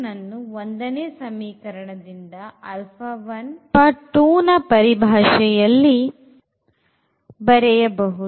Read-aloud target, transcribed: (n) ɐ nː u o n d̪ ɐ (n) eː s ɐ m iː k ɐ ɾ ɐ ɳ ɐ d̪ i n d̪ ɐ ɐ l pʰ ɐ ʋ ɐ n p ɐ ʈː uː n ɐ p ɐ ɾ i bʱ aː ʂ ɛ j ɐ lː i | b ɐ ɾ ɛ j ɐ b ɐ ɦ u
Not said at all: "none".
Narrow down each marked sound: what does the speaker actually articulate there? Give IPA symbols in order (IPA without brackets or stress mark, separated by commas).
n, n